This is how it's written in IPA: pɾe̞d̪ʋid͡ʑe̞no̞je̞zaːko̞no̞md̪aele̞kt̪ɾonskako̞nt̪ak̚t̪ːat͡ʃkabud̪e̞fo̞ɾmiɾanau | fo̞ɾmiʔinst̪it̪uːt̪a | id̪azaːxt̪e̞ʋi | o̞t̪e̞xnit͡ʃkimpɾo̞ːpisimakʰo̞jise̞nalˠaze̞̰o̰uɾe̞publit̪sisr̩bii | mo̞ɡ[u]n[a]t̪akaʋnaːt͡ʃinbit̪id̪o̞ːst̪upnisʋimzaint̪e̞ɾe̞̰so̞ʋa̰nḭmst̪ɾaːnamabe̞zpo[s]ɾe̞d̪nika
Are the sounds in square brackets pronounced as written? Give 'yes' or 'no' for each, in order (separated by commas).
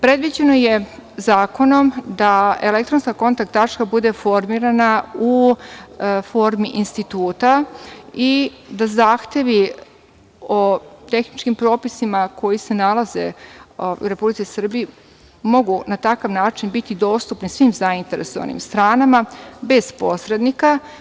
yes, yes, yes